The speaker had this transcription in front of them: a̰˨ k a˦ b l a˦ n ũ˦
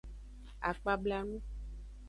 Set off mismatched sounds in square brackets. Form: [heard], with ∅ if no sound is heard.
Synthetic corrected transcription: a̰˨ [k͡p] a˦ b l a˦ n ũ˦

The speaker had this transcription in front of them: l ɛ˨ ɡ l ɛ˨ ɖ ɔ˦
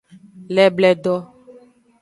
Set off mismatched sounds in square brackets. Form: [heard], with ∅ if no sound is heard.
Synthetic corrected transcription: l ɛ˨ [b] l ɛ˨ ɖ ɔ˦

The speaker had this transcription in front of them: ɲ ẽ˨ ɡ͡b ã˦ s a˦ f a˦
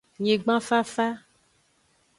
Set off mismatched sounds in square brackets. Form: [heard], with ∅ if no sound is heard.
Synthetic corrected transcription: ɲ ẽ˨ ɡ͡b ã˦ [f] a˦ f a˦

